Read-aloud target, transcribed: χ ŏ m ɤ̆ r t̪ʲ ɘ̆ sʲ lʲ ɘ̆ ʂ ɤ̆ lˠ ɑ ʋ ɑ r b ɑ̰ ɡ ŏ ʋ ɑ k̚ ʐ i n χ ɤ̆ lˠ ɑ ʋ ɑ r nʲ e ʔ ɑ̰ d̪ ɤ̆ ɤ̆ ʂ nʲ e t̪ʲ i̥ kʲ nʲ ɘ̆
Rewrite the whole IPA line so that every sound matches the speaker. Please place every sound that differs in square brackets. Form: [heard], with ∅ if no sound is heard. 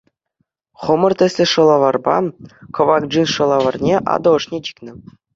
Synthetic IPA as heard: χ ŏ m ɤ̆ r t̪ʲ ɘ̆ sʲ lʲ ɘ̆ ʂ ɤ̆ lˠ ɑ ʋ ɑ r b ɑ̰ [k] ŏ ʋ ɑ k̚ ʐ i n [ʂ] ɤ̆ lˠ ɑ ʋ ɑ r nʲ e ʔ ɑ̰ d̪ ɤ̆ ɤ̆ ʂ nʲ e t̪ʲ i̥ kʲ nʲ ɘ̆